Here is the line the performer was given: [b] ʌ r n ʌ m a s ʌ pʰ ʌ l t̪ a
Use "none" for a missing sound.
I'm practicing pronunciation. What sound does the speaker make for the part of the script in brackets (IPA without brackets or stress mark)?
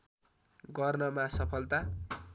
ɡ